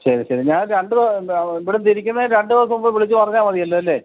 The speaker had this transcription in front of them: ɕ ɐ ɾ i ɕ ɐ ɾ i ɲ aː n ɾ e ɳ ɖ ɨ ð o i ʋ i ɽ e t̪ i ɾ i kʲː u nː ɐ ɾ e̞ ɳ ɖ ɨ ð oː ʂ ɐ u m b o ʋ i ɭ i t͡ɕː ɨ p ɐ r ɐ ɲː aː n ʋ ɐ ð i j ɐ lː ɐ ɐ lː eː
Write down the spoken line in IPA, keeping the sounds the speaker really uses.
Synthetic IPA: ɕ ɐ ɾ i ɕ ɐ ɾ i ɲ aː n ɾ e ɳ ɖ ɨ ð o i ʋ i ɽ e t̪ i ɾ i kʲː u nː ɐ ɾ e̞ ɳ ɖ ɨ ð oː s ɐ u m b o ʋ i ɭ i t͡ɕː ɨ p ɐ r ɐ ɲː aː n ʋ ɐ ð i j ɐ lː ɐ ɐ lː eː